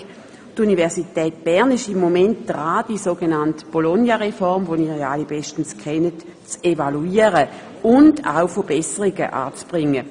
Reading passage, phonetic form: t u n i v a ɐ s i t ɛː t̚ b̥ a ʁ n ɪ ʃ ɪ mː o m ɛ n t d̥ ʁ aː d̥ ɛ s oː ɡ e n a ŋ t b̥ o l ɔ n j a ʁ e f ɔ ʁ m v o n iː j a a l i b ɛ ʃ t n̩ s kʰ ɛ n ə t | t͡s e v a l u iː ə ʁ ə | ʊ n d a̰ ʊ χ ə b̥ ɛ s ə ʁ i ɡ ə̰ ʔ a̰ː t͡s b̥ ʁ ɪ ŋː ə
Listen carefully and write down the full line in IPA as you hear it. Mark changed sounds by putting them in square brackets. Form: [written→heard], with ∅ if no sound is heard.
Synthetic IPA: t u n i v [a→ɛ] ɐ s i t ɛː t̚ b̥ [a→ɛ] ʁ n ɪ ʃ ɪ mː o m ɛ n t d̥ ʁ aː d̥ [ɛ→i] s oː ɡ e n a [ŋ→n] t b̥ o l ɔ n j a ʁ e f ɔ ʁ m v o n iː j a a l i b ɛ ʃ t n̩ s kʰ ɛ n ə t | t͡s e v a l u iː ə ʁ ə | ʊ n d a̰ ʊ [χ→f] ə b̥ ɛ s ə ʁ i ɡ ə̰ ʔ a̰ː t͡s b̥ ʁ ɪ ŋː ə

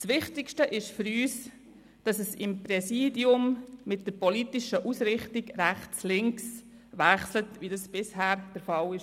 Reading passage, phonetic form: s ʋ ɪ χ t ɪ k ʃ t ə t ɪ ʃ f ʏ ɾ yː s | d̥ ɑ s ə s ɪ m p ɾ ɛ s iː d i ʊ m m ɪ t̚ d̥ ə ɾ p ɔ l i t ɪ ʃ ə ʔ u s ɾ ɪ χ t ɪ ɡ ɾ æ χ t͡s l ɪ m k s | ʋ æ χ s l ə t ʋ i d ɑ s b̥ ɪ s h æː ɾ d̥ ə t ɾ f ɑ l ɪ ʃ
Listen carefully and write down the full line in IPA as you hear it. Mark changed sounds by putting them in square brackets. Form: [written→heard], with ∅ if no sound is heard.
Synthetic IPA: s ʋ ɪ χ t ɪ k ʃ t ə [t→ʔ] ɪ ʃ f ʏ ɾ yː s | d̥ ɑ s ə s ɪ m p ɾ ɛ s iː d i ʊ m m ɪ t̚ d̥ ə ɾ p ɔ l i t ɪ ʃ ə ʔ u s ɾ ɪ χ t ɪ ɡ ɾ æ χ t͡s l ɪ [m→ŋ] k s | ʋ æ χ s l ə t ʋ i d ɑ s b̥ ɪ s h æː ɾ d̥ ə [t→∅] ɾ f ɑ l ɪ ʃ

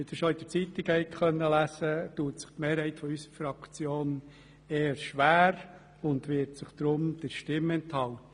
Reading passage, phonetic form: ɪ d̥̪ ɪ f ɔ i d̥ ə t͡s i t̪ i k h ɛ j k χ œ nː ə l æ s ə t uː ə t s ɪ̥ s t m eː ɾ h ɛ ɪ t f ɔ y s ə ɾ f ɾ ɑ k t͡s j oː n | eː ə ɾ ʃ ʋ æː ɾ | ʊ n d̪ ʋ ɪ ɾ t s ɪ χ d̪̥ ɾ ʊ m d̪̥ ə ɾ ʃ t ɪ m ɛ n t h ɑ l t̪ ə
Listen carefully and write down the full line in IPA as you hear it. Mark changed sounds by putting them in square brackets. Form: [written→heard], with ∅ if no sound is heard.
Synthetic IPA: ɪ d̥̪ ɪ [f→ʃ] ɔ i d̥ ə t͡s i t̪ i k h ɛ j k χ œ nː ə l æ s ə t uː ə t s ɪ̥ [s→χ] t m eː ɾ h ɛ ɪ t f ɔ y s ə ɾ f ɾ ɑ k t͡s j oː n | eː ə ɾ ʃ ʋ æː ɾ | ʊ n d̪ ʋ ɪ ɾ t s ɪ χ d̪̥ ɾ ʊ m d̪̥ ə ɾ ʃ t ɪ m ɛ n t h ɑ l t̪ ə

